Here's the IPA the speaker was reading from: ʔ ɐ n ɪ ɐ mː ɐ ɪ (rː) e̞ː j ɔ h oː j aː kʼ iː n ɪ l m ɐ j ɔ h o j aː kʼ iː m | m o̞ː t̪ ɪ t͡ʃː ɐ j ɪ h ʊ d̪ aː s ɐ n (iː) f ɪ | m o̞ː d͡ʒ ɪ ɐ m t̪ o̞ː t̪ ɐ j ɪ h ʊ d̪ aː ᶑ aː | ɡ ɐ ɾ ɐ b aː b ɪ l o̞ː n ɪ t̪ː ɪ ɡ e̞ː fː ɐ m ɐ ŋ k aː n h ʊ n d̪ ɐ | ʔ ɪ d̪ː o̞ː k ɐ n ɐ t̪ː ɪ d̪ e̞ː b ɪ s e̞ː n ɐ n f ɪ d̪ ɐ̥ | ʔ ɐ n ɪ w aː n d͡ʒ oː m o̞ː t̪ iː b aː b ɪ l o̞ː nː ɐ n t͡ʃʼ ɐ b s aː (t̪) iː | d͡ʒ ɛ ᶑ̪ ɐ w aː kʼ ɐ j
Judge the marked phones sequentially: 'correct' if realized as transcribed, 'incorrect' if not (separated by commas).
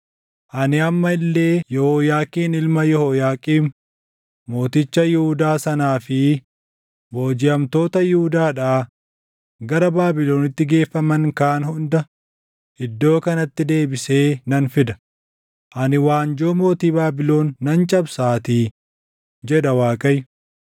incorrect, incorrect, correct